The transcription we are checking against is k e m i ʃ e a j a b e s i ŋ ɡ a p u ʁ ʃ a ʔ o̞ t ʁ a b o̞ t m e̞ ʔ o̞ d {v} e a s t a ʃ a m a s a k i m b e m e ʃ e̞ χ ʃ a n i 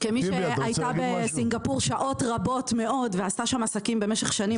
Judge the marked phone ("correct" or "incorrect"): correct